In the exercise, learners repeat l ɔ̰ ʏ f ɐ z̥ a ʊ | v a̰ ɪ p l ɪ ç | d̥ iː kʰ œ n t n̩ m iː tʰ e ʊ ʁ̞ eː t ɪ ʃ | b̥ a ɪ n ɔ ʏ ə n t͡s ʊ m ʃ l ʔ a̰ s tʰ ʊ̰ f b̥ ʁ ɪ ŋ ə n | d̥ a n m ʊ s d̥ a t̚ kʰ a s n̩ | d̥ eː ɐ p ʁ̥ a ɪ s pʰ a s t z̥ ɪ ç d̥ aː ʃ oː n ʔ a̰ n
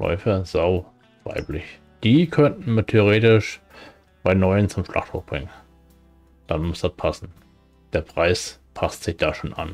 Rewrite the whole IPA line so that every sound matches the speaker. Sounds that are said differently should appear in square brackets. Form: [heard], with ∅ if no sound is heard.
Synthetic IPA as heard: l ɔ̰ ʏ f ɐ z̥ a ʊ | v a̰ ɪ p l ɪ ç | d̥ iː kʰ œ n t n̩ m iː tʰ e ʊ ʁ̞ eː t ɪ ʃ | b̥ a ɪ n ɔ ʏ ə n t͡s ʊ m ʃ l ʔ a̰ [χ] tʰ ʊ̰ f b̥ ʁ ɪ ŋ ə n | d̥ a n m ʊ s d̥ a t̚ [pʰ] a s n̩ | d̥ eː ɐ p ʁ̥ a ɪ s pʰ a s t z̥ ɪ ç d̥ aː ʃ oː n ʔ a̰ n